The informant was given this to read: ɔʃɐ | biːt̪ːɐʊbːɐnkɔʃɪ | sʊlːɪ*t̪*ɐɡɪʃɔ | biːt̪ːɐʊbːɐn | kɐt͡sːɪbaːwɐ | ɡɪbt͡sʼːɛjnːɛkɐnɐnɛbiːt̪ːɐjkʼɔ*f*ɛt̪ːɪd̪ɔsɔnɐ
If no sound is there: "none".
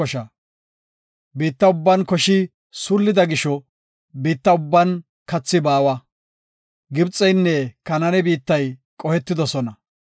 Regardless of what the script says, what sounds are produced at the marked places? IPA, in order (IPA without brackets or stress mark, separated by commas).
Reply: d̪, h